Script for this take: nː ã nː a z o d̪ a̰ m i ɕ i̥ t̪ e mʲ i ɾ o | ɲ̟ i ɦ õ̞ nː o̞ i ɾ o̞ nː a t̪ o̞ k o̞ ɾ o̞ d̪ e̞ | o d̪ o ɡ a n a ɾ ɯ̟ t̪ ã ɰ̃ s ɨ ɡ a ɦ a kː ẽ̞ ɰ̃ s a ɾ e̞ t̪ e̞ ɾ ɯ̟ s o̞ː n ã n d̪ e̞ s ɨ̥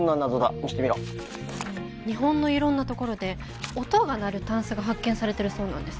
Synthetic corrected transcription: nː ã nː a z o d̪ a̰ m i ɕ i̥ t̪ e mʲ i ɾ o | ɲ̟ i ɦ õ̞ nː o̞ i ɾ õ̞ nː a t̪ o̞ k o̞ ɾ o̞ d̪ e̞ | o t̪ o ɡ a n a ɾ ɯ̟ t̪ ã ɰ̃ s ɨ ɡ a ɦ a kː ẽ̞ ɰ̃ s a ɾ e̞ t̪ e̞ ɾ ɯ̟ s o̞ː n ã n d̪ e̞ s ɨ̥